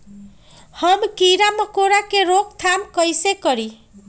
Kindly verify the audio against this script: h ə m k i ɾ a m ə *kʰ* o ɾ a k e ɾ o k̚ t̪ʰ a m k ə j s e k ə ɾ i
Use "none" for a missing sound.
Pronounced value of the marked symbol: k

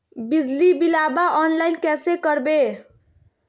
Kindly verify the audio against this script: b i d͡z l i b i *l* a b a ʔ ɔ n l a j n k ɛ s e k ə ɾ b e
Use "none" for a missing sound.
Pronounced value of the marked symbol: l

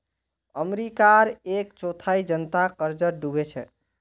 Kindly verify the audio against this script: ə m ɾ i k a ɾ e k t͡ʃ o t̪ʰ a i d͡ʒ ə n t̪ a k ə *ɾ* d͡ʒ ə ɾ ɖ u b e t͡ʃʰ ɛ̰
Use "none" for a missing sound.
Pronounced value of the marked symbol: ɾ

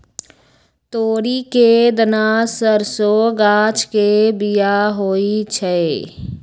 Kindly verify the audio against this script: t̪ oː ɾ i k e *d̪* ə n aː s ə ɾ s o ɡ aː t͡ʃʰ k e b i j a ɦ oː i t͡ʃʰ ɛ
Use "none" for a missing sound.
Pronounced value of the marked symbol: d̪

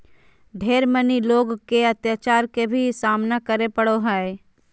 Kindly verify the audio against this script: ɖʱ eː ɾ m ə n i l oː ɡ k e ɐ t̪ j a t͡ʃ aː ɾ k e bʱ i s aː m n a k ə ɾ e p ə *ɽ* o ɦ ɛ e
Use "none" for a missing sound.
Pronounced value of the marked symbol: ɽ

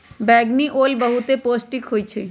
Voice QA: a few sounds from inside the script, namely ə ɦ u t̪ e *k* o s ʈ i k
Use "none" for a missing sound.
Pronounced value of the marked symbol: p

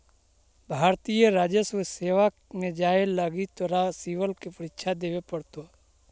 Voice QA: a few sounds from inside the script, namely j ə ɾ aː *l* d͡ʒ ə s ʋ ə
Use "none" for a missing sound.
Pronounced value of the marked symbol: none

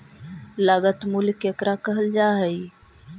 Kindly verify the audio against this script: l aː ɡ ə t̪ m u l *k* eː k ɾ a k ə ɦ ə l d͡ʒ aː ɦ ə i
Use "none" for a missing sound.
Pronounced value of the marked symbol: k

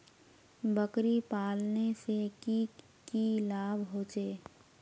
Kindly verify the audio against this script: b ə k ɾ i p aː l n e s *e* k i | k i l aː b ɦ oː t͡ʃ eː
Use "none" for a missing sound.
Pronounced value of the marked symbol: e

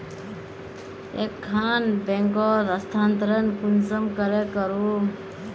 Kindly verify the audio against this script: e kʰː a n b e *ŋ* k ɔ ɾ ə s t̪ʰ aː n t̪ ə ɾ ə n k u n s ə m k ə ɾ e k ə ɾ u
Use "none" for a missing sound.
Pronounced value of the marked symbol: ŋ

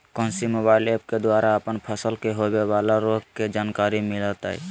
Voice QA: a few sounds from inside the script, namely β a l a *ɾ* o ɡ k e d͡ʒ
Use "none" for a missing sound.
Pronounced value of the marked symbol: ɾ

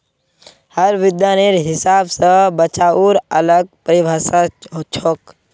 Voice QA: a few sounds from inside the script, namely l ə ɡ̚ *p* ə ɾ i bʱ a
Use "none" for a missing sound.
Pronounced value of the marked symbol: p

